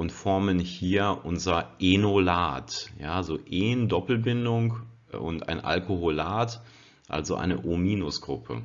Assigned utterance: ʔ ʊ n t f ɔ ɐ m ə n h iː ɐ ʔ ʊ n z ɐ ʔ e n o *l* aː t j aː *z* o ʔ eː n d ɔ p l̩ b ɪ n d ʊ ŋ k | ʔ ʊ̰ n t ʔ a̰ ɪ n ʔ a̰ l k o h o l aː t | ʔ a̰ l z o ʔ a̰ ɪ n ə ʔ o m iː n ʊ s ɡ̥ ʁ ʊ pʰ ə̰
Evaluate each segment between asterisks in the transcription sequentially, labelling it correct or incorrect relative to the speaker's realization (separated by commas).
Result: correct, correct